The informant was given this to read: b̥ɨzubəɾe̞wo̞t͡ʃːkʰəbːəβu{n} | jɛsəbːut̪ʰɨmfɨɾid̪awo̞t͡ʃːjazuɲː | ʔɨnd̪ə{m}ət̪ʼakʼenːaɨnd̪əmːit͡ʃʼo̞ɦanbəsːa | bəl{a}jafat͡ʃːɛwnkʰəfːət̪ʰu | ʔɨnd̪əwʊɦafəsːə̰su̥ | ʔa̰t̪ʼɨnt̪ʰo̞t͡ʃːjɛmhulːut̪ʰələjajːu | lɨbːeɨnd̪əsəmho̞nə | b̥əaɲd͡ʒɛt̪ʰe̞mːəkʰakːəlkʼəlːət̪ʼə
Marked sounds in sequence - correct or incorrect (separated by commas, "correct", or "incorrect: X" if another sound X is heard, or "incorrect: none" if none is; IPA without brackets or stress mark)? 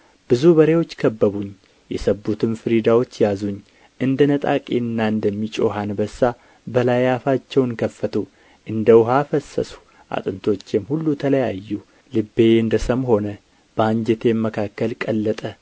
incorrect: ɲ, incorrect: n, correct